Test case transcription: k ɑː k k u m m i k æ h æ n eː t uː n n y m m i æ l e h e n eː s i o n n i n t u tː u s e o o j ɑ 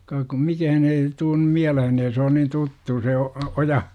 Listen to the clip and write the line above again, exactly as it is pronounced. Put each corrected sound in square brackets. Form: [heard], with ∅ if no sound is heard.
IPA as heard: k ɑː k k u m m i k æ h æ n eː t uː n n y m m i æ l e h e n eː s [e] o n n i n t u tː u s e o o j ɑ